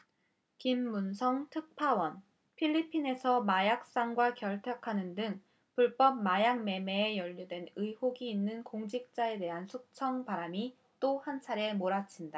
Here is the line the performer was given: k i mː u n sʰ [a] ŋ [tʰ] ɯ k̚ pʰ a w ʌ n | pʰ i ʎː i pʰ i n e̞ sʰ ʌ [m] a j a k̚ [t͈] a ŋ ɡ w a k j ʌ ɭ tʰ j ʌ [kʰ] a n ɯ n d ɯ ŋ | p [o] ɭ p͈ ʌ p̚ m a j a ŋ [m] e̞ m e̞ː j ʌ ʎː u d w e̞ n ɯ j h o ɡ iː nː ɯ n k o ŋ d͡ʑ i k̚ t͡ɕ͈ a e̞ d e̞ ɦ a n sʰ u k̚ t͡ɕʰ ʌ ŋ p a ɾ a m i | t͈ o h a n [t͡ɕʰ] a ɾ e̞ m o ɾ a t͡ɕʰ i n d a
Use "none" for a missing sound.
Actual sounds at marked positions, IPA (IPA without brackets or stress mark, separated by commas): ʌ, tʰ, m, s͈, kʰ, u, m, t͡ɕʰ